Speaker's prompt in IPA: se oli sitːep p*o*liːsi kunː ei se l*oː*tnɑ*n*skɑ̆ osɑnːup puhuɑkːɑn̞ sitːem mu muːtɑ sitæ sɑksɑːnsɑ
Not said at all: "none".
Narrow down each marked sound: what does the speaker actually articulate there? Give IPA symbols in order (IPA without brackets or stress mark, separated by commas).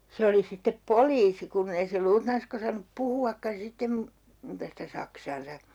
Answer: o, uː, n